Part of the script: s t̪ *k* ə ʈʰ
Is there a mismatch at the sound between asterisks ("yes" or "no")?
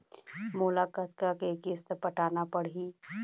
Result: yes